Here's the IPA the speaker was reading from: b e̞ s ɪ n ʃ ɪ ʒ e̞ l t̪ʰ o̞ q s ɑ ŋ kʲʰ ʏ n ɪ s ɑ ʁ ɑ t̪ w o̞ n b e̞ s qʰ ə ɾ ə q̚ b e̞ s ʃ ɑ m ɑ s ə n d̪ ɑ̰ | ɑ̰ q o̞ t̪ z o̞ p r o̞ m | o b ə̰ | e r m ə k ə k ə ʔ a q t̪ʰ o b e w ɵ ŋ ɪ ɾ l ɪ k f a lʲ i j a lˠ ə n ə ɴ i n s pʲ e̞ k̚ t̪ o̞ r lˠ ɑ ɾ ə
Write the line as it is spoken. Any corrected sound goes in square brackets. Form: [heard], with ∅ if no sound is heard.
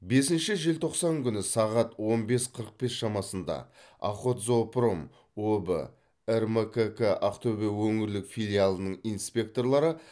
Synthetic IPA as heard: b e̞ s ɪ n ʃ ɪ ʒ e̞ l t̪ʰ o̞ q s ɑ ŋ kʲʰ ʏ n ɪ s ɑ ʁ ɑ t̪ w o̞ n b e̞ s qʰ ə ɾ ə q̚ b e̞ s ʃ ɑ m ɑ s ə n d̪ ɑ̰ | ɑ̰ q o̞ t̪ z o̞ p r o̞ m | o b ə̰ | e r m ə k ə k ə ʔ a q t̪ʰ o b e w ɵ ŋ ɪ ɾ l ɪ k f [i] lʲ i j a lˠ ə n ə ɴ i n s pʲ e̞ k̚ t̪ o̞ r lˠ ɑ ɾ ə